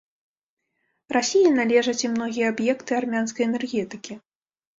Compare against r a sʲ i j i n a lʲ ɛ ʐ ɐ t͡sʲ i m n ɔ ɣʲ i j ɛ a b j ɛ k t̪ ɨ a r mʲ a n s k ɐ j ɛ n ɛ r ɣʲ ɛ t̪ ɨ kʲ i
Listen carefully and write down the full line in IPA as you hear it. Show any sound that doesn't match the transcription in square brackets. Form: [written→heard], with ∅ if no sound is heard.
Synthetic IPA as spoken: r a sʲ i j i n a lʲ ɛ ʐ ɐ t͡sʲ i m n ɔ ɣʲ i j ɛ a b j ɛ k t̪ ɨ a r mʲ a n s k ɐ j ɛ n ɛ r ɣʲ ɛ t̪ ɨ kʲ i